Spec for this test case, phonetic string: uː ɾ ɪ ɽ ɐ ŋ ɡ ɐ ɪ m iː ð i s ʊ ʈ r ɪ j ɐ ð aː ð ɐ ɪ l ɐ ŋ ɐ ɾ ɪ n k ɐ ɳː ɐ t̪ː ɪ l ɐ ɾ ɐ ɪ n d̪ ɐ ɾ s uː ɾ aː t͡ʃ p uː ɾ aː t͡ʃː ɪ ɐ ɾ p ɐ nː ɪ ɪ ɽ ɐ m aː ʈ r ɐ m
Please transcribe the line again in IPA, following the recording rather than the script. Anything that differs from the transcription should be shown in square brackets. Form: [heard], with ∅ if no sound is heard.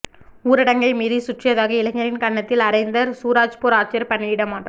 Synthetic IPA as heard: uː ɾ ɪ ɽ ɐ ŋ ɡ ɐ ɪ m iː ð i s ʊ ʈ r ɪ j ɐ ð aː [ɣ] ɐ ɪ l ɐ ŋ ɐ ɾ ɪ n k ɐ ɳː ɐ t̪ː ɪ l ɐ ɾ ɐ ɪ n d̪ ɐ ɾ s uː ɾ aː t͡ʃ p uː ɾ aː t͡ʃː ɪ ɐ ɾ p ɐ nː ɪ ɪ ɽ ɐ m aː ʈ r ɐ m